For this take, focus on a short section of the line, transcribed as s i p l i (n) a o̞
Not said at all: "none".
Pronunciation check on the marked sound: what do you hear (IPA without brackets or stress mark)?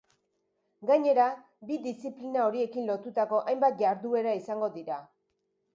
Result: n